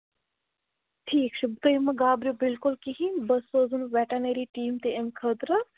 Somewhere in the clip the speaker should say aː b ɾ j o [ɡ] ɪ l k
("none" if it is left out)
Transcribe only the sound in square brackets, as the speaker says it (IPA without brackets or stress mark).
b